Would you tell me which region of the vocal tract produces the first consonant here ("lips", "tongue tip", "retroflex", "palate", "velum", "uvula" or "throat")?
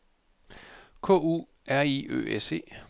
velum